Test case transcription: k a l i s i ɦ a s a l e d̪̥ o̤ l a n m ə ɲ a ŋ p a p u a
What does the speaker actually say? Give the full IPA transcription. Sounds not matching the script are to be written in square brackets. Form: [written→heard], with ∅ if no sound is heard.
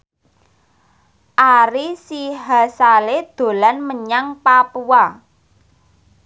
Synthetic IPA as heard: [k→ʔ] a [l→ɾ] i s i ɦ a s a l e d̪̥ o̤ l a n m ə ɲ a ŋ p a p u a